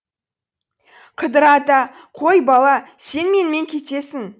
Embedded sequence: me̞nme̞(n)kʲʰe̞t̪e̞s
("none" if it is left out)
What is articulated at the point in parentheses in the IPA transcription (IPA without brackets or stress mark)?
ŋ